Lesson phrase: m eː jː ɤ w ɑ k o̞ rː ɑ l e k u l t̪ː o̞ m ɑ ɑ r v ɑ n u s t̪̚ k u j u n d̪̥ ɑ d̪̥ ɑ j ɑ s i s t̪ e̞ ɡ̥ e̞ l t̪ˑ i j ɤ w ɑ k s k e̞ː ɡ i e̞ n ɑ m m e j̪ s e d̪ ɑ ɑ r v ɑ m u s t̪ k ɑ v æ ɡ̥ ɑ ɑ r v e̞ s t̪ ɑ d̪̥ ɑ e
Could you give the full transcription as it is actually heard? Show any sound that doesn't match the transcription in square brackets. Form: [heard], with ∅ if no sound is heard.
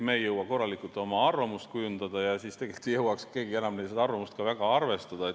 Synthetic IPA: m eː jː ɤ w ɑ k o̞ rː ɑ l [i] k u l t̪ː o̞ m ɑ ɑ r v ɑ [m] u s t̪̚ k u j u n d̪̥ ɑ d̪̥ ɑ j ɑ s i s t̪ e̞ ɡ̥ e̞ l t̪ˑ i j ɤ w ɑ k s k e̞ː ɡ i e̞ n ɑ m [n] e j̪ s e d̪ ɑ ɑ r v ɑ m u s t̪ k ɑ v æ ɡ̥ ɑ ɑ r v e̞ s t̪ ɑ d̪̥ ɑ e

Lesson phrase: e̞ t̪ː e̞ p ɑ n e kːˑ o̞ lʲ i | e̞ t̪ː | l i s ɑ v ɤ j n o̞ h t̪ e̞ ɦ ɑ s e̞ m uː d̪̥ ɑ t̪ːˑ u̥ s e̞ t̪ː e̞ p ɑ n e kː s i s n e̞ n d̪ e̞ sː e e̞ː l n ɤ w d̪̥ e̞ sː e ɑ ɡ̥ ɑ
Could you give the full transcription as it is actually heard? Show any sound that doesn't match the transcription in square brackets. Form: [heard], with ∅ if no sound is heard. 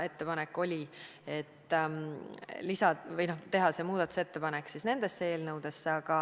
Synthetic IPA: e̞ t̪ː e̞ p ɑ n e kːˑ o̞ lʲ i | e̞ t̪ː | l i s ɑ v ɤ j n o̞ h t̪ e̞ ɦ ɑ s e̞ m uː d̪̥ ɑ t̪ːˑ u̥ s e̞ t̪ː e̞ p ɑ n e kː s i s n e̞ n d̪ e̞ sː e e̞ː l n ɤ w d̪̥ e̞ sː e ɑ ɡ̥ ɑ

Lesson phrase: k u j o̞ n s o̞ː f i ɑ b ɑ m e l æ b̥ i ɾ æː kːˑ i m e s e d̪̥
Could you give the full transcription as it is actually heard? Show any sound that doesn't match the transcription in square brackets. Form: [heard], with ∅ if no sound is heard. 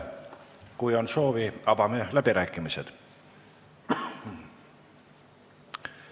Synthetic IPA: k u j o̞ n s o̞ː [v] i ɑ b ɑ m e l æ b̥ i ɾ æː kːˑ i m [i] s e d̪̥

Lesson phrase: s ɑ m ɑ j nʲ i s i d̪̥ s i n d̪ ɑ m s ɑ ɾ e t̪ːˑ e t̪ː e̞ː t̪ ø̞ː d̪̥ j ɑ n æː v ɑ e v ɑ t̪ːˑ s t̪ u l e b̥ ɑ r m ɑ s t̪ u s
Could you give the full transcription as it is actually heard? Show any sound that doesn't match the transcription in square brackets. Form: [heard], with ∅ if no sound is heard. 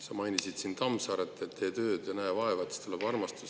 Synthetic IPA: s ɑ m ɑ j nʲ i s i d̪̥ s i n [t̪] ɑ m s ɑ ɾ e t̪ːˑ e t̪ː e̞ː t̪ ø̞ː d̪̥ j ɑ n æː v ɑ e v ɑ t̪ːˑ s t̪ u l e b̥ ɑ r m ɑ s t̪ u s

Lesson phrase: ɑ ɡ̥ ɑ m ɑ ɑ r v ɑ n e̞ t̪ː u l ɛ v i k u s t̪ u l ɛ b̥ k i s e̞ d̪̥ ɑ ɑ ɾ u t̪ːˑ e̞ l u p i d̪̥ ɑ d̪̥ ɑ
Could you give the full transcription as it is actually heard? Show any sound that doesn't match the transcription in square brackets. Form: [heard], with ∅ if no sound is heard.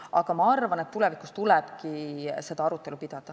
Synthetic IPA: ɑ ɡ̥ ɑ m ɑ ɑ r v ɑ n e̞ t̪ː u l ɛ v i k u s t̪ u l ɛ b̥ k i s e̞ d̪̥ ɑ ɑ ɾ u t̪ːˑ e̞ l u p i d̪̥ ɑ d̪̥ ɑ

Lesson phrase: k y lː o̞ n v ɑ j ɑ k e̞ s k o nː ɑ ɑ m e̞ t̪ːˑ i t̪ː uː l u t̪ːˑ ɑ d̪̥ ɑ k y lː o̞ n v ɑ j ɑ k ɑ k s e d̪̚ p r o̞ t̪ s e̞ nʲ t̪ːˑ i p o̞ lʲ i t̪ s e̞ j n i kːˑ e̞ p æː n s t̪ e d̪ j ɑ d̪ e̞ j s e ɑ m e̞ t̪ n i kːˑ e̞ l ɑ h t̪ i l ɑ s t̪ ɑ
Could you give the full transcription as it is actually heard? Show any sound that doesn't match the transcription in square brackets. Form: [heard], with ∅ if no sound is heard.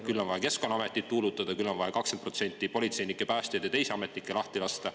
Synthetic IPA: k y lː o̞ n v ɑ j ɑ k e̞ s k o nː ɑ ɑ m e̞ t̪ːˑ i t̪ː uː l u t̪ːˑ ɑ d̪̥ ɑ k y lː o̞ n v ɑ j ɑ k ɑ k s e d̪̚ p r o̞ t̪ s e̞ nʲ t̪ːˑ i p o̞ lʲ i t̪ s e̞ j n i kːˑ e̞ p æː [∅] s t̪ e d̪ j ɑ [t̪] e̞ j s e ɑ m e̞ t̪ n i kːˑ e̞ l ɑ h t̪ i l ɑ s t̪ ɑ

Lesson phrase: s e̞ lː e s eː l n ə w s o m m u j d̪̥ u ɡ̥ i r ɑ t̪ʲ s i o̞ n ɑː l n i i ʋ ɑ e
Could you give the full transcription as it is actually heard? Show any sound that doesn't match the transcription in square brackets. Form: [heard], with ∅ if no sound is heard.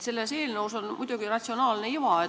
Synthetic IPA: s e̞ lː e s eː l n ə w s o [n] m u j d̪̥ u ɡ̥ i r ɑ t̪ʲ s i o̞ n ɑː l n [e] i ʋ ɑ e

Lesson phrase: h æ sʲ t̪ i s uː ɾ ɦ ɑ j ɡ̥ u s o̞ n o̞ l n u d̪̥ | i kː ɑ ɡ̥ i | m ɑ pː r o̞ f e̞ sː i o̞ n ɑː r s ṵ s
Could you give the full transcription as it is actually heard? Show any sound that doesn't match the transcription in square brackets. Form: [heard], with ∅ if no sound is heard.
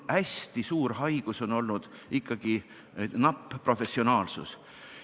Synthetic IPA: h æ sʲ t̪ i s uː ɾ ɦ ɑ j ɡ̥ u s o̞ n o̞ l n u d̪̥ | i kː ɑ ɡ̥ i | [n] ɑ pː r o̞ f e̞ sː i o̞ n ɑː [l] s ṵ s

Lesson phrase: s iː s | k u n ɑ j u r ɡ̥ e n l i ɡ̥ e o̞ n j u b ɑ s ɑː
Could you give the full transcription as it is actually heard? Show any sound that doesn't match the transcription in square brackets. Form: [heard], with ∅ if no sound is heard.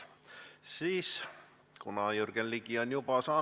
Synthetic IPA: s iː s | k u n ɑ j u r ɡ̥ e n l i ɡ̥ [i] o̞ n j u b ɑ s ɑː

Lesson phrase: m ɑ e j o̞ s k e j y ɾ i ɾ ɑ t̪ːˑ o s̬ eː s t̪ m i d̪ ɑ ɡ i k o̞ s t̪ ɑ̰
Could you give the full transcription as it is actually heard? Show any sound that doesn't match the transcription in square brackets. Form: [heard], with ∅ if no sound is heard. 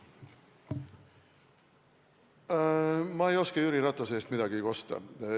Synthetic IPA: m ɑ e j o̞ s k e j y ɾ i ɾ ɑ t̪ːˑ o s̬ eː s t̪ m i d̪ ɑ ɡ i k o̞ s t̪ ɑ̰

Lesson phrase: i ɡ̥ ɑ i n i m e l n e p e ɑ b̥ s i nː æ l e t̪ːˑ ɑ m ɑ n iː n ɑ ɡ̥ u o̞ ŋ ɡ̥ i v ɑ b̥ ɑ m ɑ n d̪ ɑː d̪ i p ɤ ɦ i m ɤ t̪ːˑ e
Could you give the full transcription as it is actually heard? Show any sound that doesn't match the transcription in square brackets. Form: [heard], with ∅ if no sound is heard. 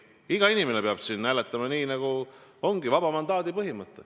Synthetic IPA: i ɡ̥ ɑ i n i m e [∅] n e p e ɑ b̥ s i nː æ l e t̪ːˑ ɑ m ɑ n iː n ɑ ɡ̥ u o̞ ŋ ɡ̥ i v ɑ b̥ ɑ m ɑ n d̪ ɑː d̪ i p ɤ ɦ i m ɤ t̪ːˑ e

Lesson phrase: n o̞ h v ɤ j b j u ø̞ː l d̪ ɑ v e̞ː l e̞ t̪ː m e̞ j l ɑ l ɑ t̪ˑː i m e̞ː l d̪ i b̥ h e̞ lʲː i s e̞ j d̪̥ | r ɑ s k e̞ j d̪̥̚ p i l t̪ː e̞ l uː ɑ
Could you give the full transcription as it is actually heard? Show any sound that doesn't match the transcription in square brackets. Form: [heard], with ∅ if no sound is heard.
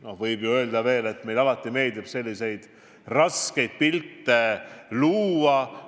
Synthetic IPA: n o̞ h v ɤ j b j u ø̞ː l d̪ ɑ v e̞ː l e̞ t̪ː m e̞ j l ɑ l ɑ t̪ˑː i m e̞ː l d̪ i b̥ [s] e̞ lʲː i s e̞ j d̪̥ | r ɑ s k e̞ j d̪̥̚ p i l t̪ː e̞ l uː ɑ

